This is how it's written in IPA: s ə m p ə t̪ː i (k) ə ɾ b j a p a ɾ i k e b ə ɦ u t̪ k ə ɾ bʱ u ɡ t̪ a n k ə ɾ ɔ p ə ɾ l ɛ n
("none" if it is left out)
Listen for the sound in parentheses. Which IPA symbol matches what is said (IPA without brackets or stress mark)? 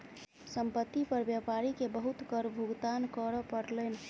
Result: p